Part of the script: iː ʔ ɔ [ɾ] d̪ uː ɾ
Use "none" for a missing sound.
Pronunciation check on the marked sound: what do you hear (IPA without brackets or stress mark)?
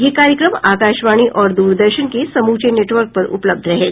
ɾ